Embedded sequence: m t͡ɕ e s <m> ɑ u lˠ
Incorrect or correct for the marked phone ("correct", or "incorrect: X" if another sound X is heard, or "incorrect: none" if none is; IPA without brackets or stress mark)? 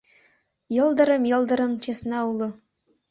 incorrect: n